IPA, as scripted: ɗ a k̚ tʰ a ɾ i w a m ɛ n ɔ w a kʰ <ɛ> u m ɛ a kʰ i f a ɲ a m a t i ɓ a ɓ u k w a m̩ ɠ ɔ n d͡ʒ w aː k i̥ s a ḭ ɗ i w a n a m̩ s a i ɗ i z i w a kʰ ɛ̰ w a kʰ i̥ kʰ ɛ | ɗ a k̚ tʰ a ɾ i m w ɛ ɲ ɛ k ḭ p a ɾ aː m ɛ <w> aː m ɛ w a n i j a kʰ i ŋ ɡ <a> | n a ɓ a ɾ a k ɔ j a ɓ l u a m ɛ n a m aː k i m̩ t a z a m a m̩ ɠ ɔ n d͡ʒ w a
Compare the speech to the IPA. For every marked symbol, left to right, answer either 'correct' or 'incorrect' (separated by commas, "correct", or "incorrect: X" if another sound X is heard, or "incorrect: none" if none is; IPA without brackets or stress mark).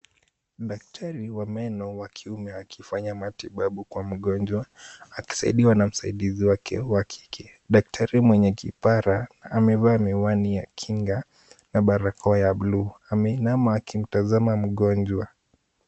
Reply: incorrect: i, incorrect: v, correct